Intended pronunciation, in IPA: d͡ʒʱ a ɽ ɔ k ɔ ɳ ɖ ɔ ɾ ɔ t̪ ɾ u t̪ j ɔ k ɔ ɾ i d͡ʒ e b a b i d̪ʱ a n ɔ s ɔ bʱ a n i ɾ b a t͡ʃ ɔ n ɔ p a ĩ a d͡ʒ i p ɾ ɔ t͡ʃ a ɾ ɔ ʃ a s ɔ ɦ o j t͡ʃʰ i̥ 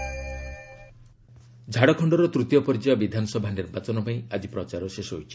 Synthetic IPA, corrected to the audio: d͡ʒʱ a ɽ ɔ kʰ ɔ ɳ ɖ ɔ ɾ ɔ t̪ ɾ u t̪ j ɔ p ɔ ɾ i d͡ʒ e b a b i d̪ʱ a n ɔ s ɔ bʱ a n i ɾ b a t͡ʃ ɔ n ɔ p a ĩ a d͡ʒ i p ɾ ɔ t͡ʃ a ɾ ɔ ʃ e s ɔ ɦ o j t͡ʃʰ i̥